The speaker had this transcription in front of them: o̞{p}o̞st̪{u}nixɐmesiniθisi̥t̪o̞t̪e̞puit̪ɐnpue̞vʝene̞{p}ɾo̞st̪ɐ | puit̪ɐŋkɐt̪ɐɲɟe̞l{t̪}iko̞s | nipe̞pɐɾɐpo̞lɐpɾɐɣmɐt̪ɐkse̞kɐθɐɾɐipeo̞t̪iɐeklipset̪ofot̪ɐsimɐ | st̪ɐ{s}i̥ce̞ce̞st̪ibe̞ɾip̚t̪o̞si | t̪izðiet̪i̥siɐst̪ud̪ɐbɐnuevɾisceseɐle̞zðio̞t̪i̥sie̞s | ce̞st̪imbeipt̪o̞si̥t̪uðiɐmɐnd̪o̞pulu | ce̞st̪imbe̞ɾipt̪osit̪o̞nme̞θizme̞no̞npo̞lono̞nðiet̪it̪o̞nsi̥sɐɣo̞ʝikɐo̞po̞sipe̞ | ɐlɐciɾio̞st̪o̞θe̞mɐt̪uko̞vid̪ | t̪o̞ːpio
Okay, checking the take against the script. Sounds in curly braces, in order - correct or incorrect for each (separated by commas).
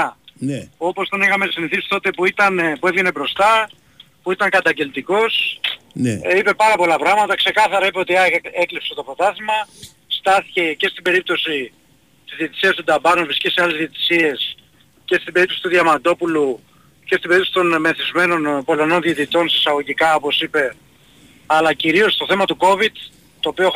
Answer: correct, incorrect, incorrect, correct, incorrect